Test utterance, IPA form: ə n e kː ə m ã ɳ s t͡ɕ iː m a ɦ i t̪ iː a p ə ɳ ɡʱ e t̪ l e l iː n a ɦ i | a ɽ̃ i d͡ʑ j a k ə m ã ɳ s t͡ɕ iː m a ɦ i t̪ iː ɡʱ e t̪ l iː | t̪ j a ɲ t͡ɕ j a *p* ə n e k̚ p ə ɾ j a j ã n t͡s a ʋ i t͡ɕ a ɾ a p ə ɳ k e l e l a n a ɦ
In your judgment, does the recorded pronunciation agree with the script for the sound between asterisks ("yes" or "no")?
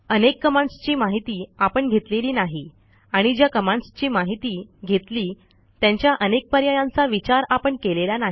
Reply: no